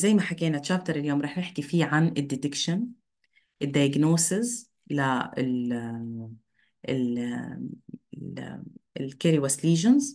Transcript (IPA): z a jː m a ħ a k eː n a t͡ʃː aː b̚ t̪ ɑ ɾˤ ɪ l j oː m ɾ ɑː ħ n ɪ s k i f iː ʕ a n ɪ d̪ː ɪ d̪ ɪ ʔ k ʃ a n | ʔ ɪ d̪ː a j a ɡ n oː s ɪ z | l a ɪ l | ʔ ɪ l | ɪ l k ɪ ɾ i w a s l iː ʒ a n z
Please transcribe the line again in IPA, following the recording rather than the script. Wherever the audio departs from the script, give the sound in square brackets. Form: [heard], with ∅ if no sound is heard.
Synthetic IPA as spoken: z a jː m a ħ a k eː n a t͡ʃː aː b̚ t̪ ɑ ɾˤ ɪ l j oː m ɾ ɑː ħ n ɪ [ħ] k i f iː ʕ a n ɪ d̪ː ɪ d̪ ɪ [∅] k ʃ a n | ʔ ɪ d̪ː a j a ɡ n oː s ɪ z | l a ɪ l | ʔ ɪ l | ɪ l k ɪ ɾ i w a s l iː ʒ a n z